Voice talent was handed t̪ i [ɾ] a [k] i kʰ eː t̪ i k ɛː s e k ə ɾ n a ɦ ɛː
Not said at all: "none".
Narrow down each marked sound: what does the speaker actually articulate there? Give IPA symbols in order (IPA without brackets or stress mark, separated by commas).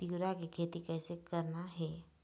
ɾ, k